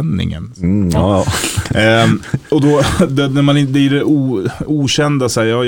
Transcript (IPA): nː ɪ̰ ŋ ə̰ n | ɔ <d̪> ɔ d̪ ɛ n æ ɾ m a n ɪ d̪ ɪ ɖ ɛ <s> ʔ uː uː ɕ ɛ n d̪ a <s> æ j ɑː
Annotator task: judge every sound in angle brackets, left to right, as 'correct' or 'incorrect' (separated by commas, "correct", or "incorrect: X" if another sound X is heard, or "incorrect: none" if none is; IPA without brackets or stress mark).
correct, incorrect: none, correct